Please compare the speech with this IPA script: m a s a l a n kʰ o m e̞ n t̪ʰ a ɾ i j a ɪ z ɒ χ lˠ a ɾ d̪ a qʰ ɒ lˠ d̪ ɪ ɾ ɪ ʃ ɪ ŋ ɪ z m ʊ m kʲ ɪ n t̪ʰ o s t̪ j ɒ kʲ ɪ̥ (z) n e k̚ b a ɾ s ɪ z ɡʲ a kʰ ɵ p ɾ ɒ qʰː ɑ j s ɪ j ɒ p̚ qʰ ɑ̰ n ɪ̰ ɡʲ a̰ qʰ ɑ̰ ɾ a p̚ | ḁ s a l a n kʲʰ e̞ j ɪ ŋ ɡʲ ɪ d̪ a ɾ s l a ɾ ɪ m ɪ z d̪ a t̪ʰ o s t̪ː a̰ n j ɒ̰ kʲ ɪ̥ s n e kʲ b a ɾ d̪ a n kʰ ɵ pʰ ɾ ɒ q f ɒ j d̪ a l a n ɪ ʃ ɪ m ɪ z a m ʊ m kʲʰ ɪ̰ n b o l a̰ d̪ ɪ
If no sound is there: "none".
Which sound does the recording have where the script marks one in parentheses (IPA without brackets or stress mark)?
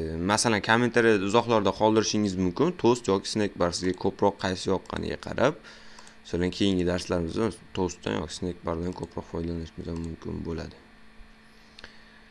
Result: s